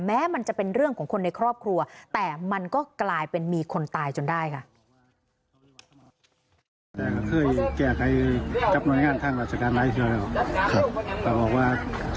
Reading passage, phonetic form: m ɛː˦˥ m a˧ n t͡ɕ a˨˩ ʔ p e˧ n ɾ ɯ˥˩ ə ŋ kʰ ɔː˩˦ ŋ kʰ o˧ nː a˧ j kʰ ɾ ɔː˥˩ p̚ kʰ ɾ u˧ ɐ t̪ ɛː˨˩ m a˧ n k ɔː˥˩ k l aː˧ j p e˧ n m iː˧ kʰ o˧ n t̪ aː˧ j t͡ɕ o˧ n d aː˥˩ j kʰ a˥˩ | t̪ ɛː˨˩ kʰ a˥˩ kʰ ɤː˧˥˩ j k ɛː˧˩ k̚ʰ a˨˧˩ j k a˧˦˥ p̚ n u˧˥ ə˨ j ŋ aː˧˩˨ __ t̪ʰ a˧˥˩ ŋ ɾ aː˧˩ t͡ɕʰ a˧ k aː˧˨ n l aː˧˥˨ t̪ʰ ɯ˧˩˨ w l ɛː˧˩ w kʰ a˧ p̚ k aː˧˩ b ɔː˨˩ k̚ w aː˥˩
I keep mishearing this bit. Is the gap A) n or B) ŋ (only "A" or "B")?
A